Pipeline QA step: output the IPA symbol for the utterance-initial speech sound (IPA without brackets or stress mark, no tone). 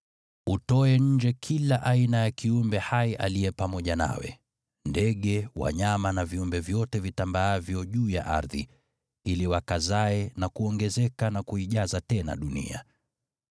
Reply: u